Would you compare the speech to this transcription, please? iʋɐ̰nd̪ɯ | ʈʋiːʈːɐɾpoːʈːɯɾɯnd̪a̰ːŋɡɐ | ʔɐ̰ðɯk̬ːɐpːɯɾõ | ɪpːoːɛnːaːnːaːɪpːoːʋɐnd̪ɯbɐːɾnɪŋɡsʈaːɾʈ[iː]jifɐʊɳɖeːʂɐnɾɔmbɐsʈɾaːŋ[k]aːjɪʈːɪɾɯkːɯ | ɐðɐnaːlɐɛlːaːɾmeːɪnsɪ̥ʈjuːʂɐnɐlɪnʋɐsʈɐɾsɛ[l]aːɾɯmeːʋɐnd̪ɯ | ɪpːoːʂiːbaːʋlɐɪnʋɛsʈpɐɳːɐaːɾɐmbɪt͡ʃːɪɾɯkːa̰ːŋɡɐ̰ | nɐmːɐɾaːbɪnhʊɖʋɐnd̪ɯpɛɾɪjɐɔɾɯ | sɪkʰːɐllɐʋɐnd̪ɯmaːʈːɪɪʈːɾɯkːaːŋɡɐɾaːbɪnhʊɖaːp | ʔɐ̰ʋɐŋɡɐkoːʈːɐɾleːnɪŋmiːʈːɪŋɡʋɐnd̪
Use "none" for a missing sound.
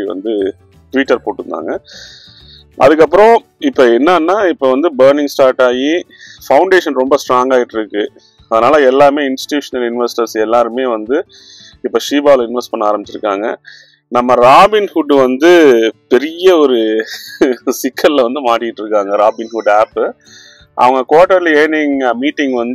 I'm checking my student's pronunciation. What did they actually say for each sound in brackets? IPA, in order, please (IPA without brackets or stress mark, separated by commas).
aː, ɡ, lː